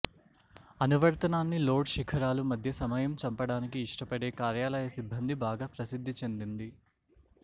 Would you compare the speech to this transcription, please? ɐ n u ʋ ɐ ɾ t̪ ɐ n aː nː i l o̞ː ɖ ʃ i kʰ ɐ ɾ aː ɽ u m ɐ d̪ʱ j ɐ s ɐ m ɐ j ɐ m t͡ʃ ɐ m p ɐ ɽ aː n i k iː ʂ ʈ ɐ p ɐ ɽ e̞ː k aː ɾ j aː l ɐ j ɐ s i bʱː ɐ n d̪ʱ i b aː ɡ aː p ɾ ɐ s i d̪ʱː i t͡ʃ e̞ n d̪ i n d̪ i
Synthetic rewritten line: ɐ n u ʋ ɐ ɾ t̪ ɐ n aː nː i l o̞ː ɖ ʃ i kʰ ɐ ɾ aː l u m ɐ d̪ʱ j ɐ s ɐ m ɐ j ɐ m t͡ʃ ɐ m p ɐ ɽ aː n i k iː ʂ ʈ ɐ p ɐ ɽ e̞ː k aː ɾ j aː l ɐ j ɐ s i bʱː ɐ n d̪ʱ i b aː ɡ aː p ɾ ɐ s i d̪ʱː i t͡ʃ e̞ n d̪ i n d̪ i